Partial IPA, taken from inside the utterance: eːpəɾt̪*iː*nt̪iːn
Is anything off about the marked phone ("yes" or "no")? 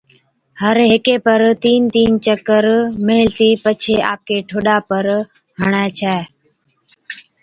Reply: no